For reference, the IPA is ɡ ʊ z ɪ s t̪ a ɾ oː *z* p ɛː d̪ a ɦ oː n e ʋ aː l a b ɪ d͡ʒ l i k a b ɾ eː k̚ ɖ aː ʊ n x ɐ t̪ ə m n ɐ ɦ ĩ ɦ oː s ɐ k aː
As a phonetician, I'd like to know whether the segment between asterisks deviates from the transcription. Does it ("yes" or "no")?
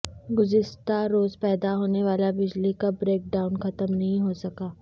no